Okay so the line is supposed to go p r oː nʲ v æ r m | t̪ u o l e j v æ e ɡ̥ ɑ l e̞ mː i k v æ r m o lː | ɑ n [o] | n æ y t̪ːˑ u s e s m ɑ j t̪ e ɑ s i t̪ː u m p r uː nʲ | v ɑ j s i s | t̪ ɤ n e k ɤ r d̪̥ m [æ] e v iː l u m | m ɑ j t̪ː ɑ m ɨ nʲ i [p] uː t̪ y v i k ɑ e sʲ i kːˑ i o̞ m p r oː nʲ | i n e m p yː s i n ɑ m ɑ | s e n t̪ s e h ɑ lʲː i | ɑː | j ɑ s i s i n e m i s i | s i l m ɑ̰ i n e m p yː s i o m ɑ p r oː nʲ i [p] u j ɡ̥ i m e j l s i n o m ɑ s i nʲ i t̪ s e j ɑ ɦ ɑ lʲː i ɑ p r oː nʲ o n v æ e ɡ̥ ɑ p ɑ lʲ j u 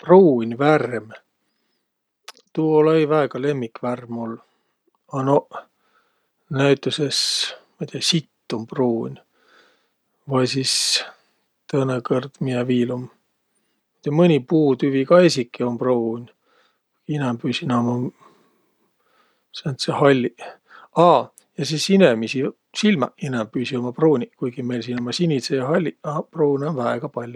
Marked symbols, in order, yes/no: yes, no, yes, no

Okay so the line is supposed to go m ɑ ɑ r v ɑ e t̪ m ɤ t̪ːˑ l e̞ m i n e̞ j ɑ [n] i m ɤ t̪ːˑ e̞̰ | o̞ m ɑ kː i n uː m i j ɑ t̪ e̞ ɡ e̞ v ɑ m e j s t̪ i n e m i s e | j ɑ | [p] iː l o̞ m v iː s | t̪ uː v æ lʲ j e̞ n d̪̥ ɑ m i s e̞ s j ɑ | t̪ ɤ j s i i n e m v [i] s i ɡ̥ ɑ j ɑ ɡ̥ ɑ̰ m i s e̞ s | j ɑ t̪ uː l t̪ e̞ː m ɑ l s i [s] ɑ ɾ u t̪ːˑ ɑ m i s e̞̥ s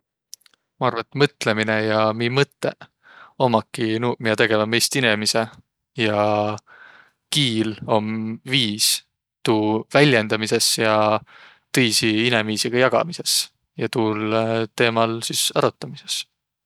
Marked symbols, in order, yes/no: no, no, no, yes

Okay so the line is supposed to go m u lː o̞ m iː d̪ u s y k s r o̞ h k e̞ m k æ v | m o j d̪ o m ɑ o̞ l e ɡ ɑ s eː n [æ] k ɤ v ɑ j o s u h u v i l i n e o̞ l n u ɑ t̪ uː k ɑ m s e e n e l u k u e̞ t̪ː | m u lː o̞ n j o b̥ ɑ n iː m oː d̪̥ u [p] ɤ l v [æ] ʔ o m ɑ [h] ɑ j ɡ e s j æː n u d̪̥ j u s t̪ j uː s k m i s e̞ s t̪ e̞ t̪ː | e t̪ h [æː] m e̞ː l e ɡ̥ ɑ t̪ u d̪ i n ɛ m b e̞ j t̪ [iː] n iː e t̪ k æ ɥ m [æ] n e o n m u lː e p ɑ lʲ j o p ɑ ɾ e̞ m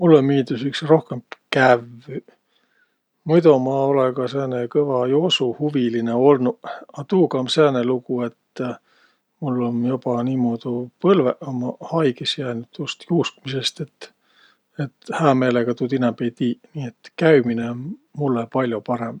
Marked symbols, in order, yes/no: no, yes, no, yes, yes, yes, no

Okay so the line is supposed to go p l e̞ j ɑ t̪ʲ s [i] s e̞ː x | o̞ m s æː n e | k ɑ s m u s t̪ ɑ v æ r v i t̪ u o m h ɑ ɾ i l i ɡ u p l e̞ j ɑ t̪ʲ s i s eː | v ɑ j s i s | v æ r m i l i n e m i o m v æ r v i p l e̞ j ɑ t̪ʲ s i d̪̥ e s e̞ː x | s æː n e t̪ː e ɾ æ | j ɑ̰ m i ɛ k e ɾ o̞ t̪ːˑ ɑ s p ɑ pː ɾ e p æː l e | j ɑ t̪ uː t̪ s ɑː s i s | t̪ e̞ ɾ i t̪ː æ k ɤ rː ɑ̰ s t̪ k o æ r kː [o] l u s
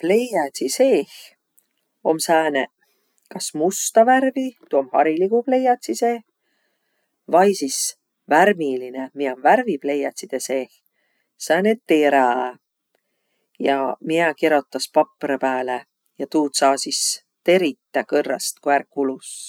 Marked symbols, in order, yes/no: yes, no

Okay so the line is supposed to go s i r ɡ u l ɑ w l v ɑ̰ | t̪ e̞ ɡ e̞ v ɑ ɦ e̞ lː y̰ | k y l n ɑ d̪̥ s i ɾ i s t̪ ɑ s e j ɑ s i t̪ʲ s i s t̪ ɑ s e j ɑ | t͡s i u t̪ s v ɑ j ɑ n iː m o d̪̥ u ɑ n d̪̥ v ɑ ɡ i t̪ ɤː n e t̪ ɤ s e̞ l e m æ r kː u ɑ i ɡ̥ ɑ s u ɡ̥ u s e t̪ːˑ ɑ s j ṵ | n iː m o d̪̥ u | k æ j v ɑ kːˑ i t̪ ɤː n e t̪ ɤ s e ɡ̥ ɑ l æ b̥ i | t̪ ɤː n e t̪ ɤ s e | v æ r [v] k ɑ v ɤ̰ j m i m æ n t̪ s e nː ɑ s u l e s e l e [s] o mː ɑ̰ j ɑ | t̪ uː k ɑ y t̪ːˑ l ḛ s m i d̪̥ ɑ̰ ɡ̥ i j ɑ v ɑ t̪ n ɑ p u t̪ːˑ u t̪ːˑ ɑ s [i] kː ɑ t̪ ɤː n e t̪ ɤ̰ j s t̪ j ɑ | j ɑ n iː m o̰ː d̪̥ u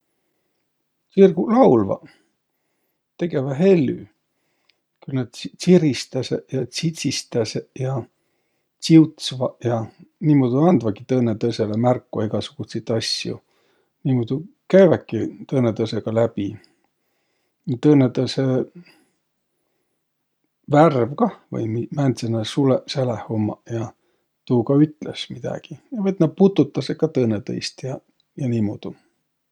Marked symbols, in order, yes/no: yes, no, no

